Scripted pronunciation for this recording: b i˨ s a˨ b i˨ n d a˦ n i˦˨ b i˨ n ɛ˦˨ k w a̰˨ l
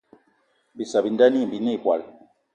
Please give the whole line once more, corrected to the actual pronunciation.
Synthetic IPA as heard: b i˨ s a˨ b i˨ n d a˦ n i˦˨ b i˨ n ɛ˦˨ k w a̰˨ l